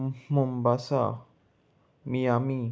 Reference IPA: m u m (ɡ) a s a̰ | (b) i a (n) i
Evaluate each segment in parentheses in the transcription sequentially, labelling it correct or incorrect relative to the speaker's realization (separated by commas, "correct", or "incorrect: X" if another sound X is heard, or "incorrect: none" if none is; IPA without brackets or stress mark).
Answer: incorrect: b, incorrect: m, incorrect: m